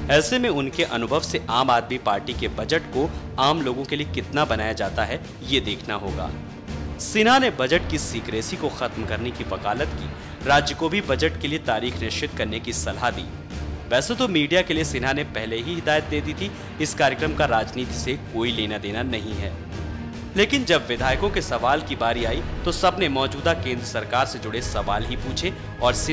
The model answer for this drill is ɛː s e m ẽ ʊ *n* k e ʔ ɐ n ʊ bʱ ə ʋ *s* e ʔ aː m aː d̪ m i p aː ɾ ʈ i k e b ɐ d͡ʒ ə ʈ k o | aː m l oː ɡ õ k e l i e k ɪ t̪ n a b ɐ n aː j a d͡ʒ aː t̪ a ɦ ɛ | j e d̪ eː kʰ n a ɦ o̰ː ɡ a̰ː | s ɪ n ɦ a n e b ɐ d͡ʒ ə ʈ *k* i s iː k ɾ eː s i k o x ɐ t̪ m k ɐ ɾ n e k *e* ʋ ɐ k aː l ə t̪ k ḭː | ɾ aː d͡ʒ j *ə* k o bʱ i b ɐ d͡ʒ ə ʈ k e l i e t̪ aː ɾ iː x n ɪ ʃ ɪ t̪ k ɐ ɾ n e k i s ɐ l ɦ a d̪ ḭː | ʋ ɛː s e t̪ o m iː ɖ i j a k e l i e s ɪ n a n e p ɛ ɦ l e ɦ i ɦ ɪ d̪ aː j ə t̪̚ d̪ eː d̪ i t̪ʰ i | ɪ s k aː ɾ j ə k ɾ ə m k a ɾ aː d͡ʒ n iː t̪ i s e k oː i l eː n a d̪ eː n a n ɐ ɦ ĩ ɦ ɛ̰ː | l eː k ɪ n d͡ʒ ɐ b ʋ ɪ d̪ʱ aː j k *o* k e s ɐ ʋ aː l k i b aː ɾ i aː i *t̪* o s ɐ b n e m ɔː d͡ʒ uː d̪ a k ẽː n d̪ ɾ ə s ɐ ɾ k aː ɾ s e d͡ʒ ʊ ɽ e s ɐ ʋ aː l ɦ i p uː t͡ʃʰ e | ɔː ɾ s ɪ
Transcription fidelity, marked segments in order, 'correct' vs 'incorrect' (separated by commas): correct, correct, correct, incorrect, correct, incorrect, correct